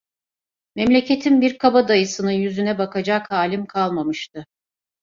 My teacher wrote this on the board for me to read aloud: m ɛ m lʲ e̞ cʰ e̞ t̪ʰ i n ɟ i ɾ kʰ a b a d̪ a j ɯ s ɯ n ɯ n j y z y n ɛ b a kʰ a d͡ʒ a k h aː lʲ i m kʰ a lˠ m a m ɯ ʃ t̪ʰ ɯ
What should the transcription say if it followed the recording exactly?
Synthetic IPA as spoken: m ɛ m lʲ e̞ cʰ e̞ t̪ʰ i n b i ɾ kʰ a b a d̪ a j ɯ s ɯ n ɯ n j y z y n ɛ b a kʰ a d͡ʒ a k h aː lʲ i m kʰ a lˠ m a m ɯ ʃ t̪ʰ ɯ